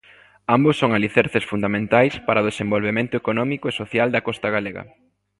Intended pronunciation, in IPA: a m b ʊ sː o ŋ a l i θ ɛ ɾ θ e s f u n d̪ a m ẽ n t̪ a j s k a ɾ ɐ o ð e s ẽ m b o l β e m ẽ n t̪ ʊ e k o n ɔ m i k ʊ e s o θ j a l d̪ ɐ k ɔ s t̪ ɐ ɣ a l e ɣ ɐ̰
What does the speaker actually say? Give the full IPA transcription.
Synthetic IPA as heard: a m b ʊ sː o ŋ a l i θ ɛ ɾ θ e s f u n d̪ a m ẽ n t̪ a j s p a ɾ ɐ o ð e s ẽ m b o l β e m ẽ n t̪ ʊ e k o n ɔ m i k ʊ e s o θ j a l d̪ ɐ k ɔ s t̪ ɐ ɣ a l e ɣ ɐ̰